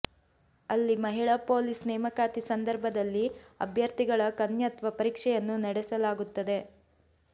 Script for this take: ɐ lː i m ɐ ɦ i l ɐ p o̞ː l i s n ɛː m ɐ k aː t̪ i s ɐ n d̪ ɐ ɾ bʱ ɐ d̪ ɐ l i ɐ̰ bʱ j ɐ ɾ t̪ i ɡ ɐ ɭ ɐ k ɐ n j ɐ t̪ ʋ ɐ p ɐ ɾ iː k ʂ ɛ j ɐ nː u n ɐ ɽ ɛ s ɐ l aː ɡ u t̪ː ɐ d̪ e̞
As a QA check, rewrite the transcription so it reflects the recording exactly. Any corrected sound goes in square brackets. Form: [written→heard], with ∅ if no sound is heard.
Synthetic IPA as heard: ɐ lː i m ɐ ɦ i [l→ɭ] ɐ p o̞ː l i s n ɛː m ɐ k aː t̪ i s ɐ n d̪ ɐ ɾ bʱ ɐ d̪ ɐ [l→lː] i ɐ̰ bʱ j ɐ ɾ t̪ i ɡ ɐ ɭ ɐ k ɐ n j ɐ t̪ ʋ ɐ p ɐ ɾ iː k ʂ ɛ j ɐ nː u n ɐ ɽ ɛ s ɐ l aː ɡ u t̪ː ɐ d̪ e̞

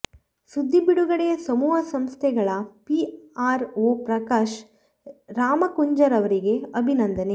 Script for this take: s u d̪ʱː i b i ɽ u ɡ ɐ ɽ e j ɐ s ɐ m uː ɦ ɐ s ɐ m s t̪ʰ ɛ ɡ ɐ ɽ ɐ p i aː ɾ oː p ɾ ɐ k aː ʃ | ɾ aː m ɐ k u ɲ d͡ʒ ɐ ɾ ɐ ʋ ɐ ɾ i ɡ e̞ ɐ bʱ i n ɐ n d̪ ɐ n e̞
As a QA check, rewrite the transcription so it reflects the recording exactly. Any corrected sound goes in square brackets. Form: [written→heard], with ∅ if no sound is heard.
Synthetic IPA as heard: s u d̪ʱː i b i ɽ u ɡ ɐ ɽ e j ɐ s ɐ m uː ɦ ɐ s ɐ m s t̪ʰ ɛ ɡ ɐ [ɽ→ɭ] ɐ p i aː ɾ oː p ɾ ɐ k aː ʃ | ɾ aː m ɐ k u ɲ d͡ʒ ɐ ɾ ɐ ʋ ɐ ɾ i ɡ e̞ ɐ bʱ i n ɐ n d̪ ɐ n e̞

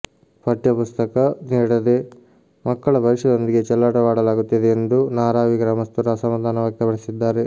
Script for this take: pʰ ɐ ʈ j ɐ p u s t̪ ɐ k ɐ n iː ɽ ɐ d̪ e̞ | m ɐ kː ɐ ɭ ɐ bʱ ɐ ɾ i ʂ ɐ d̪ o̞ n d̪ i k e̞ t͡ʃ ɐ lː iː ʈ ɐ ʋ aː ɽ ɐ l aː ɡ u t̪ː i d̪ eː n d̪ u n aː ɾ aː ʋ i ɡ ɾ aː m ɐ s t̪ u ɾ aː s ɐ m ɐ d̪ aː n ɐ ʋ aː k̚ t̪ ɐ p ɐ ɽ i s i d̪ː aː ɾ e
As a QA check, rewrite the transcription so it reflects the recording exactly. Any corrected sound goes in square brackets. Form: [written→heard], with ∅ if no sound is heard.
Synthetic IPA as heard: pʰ ɐ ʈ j ɐ p u s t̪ ɐ k ɐ n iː ɽ ɐ d̪ e̞ | m ɐ kː ɐ ɭ ɐ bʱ ɐ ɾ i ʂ ɐ d̪ o̞ n d̪ i [k→ɡ] e̞ t͡ʃ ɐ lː [iː→aː] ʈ ɐ ʋ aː ɽ ɐ l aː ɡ u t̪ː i d̪ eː n d̪ u n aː ɾ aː ʋ i ɡ ɾ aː m ɐ s t̪ u ɾ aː s ɐ m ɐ d̪ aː n ɐ ʋ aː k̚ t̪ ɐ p ɐ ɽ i s i d̪ː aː ɾ e

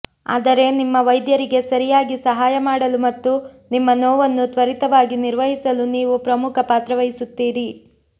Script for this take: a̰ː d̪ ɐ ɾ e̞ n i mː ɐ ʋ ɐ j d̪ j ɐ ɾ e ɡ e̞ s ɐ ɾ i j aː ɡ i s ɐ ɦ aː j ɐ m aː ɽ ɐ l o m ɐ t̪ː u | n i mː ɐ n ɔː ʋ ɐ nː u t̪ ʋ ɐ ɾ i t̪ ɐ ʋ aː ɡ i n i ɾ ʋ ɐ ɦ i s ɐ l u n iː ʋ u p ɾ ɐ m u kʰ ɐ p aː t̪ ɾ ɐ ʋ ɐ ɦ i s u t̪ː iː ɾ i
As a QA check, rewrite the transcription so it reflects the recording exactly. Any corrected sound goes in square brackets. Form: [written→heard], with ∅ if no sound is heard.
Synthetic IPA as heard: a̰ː d̪ ɐ ɾ e̞ n i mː ɐ ʋ ɐ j d̪ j ɐ ɾ [e→i] ɡ e̞ s ɐ ɾ i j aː ɡ i s ɐ ɦ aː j ɐ m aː ɽ ɐ l [o→u] m ɐ t̪ː u | n i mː ɐ n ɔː ʋ ɐ nː u t̪ ʋ ɐ ɾ i t̪ ɐ ʋ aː ɡ i n i ɾ ʋ ɐ ɦ i s ɐ l u n iː ʋ u p ɾ ɐ m u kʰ ɐ p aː t̪ ɾ ɐ ʋ ɐ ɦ i s u t̪ː iː ɾ i

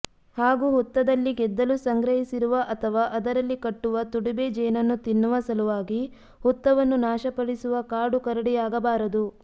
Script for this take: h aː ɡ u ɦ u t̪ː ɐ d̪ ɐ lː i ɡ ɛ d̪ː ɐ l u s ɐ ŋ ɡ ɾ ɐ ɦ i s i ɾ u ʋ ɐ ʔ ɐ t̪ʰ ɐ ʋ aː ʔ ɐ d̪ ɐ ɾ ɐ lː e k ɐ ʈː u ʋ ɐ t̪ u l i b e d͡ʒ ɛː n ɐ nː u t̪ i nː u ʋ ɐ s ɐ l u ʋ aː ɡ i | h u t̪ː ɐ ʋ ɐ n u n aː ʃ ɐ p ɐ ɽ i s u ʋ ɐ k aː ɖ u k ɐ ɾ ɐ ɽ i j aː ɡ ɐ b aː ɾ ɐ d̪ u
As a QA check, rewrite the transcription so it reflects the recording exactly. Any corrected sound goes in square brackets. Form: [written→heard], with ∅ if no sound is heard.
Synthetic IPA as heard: h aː ɡ u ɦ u t̪ː ɐ d̪ ɐ lː i ɡ ɛ d̪ː ɐ l u s ɐ ŋ ɡ ɾ ɐ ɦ i s i ɾ u ʋ ɐ ʔ ɐ t̪ʰ ɐ ʋ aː ʔ ɐ d̪ ɐ ɾ ɐ lː [e→i] k ɐ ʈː u ʋ ɐ t̪ u [l→ɽ] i b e d͡ʒ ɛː n ɐ nː u t̪ i nː u ʋ ɐ s ɐ l u ʋ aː ɡ i | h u t̪ː ɐ ʋ ɐ [n→nː] u n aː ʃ ɐ p ɐ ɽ i s u ʋ ɐ k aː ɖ u k ɐ ɾ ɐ ɽ i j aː ɡ ɐ b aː ɾ ɐ d̪ u

